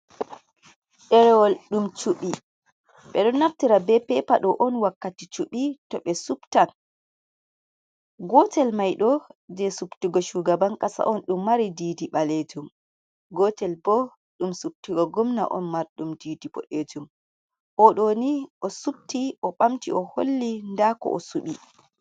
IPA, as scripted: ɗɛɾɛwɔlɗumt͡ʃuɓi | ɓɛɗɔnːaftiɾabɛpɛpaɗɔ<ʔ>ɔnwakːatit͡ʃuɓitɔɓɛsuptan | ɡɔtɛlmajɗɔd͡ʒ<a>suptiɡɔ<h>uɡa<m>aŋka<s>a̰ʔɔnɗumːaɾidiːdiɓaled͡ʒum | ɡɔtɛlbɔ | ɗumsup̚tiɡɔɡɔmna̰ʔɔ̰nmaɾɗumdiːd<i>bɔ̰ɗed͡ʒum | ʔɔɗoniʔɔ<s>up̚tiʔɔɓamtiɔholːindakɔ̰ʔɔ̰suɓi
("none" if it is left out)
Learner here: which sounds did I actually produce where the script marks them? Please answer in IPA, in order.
ʔ, ɛ, ʃ, b, s, i, s

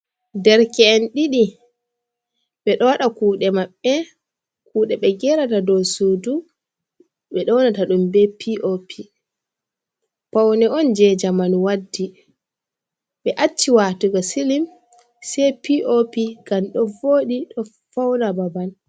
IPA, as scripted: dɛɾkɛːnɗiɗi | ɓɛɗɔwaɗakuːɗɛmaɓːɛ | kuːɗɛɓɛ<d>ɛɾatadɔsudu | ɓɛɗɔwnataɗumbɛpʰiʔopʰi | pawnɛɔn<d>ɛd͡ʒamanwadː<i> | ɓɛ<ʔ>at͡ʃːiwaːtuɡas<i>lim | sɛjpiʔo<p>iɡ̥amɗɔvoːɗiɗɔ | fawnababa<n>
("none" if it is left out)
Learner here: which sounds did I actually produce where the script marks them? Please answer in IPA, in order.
ɡ, d͡ʒ, i, ʔ, i, p, n

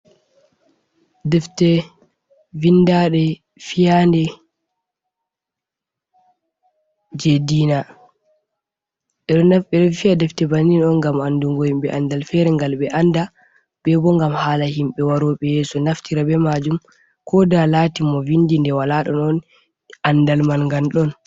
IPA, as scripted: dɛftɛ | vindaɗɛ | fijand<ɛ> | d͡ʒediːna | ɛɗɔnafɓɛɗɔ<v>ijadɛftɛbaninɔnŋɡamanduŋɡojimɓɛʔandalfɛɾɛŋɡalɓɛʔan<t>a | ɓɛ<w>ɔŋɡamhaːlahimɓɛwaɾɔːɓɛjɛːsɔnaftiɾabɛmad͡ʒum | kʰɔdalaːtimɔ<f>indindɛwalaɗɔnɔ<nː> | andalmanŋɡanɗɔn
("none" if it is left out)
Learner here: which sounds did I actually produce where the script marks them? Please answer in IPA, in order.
ɛ, f, d, b, v, n

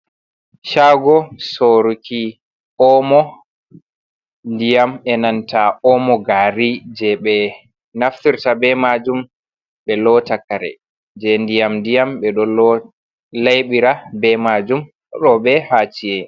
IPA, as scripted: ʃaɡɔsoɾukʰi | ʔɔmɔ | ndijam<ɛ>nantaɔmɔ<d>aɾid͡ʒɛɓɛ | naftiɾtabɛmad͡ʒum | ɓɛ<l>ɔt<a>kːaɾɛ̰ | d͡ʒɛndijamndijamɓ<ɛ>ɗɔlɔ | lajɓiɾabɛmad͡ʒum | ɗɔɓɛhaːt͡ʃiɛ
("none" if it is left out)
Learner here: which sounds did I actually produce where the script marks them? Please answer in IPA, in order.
ɛ, ɡ, l, a, ɛ

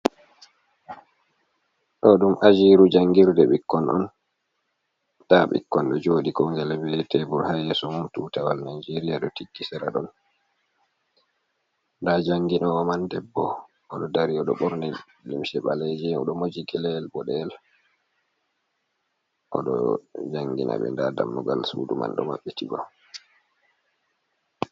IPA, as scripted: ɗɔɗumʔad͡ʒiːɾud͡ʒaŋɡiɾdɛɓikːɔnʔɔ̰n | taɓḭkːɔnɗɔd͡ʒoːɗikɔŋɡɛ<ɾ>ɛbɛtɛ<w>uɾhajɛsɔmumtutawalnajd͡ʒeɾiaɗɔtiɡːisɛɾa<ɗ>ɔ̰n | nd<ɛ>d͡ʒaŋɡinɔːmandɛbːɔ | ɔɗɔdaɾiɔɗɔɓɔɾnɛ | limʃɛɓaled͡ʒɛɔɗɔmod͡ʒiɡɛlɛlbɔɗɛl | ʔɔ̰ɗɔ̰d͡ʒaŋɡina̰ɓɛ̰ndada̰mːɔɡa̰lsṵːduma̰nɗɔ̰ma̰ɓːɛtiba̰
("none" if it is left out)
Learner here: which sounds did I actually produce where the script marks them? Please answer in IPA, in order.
l, b, ɗ, a

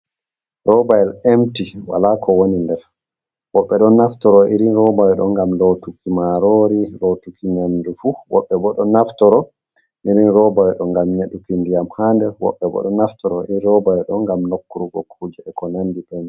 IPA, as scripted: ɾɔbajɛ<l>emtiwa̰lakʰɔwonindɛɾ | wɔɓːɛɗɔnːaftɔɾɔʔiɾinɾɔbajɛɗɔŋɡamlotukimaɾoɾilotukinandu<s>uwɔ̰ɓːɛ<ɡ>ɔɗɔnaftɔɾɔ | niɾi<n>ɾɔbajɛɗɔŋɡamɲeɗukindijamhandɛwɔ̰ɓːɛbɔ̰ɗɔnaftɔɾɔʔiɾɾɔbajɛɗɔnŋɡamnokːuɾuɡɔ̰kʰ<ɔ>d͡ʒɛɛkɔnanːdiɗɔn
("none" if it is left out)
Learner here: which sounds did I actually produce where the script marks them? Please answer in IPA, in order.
l, f, b, n, u

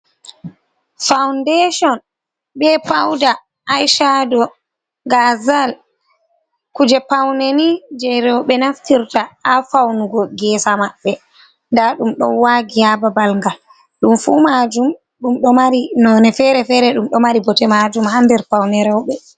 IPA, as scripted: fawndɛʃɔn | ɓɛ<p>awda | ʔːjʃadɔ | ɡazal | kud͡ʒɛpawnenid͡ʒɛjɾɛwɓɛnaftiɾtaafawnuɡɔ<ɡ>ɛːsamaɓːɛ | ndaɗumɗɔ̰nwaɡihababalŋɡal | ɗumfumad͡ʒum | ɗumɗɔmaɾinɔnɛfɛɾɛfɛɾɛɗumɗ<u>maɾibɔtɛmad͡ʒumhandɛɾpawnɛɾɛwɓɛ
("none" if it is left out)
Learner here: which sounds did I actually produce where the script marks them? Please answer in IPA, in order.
p, ɡ, ɔ

